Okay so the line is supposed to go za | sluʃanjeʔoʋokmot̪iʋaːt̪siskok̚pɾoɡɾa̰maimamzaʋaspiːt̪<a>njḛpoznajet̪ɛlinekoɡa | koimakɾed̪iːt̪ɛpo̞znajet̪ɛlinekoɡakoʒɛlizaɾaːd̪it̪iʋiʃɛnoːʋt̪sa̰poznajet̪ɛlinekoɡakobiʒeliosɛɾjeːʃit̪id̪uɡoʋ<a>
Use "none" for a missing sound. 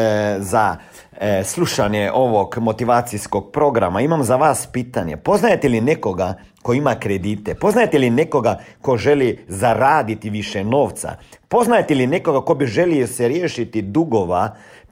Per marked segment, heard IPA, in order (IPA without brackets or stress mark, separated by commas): a, a